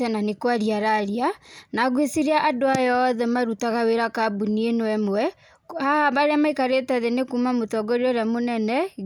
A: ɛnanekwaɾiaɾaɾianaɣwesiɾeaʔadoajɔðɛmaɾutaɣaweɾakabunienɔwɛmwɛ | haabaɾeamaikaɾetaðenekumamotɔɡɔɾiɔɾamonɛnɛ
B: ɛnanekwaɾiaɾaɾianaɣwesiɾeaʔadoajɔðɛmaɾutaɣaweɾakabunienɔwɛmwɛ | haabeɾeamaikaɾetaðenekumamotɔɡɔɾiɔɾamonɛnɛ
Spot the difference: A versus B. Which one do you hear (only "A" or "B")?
A